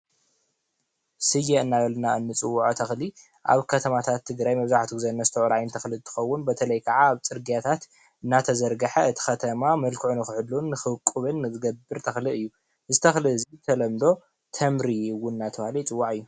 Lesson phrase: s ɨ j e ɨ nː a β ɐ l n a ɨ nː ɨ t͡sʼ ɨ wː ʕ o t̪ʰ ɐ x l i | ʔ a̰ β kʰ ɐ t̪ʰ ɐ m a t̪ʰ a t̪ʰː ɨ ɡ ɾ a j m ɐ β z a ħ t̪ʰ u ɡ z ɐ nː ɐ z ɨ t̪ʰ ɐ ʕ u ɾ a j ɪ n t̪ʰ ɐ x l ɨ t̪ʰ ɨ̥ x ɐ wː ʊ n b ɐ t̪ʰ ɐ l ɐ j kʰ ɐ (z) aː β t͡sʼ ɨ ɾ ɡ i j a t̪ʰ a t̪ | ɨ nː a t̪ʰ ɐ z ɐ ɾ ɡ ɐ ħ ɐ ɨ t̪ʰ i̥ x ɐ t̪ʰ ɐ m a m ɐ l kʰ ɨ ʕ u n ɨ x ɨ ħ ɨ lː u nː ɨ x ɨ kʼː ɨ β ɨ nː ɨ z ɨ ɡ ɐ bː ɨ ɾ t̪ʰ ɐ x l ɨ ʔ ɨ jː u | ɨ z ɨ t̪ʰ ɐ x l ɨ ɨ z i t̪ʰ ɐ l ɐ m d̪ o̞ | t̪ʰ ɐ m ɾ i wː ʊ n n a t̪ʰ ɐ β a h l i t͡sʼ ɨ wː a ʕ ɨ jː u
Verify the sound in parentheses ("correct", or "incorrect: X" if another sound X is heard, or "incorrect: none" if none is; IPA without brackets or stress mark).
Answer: incorrect: ʕ